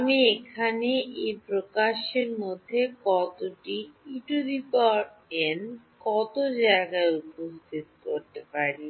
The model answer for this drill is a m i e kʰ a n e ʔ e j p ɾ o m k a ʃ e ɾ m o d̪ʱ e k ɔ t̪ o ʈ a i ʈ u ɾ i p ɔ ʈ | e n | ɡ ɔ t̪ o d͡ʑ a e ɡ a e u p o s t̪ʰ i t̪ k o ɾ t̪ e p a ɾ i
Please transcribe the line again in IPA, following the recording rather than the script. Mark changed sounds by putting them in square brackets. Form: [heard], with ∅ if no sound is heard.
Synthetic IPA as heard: a m i e kʰ a n e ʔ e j p ɾ o [∅] k a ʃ e ɾ m o [d̪ʱː] e k ɔ t̪ o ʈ [i] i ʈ u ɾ i p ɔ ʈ | e n | [k] ɔ t̪ o d͡ʑ a e ɡ a e u p o s t̪ʰ i t̪ k o ɾ t̪ e p a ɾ i